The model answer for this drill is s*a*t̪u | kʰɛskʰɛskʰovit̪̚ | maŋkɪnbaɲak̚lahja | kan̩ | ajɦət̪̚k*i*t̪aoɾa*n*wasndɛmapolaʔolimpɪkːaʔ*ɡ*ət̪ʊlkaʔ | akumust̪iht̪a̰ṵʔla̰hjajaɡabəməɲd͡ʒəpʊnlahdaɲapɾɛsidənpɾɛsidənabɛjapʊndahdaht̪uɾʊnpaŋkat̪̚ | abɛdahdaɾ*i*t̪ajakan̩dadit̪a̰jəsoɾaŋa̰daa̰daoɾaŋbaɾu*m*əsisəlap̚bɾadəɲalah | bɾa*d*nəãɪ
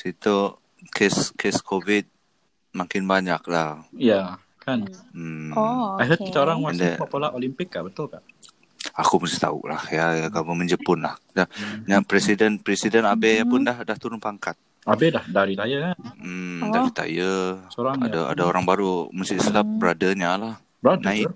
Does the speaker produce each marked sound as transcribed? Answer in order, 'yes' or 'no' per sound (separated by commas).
no, yes, no, no, yes, yes, yes